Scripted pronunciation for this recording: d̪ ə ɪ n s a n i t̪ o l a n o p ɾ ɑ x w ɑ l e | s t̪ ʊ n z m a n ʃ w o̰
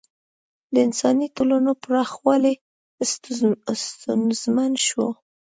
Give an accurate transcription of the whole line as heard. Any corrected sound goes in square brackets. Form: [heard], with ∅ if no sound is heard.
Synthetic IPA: d̪ ə ɪ n s [ɑ] n i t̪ o l a n o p ɾ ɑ x w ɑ l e | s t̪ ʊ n z m a n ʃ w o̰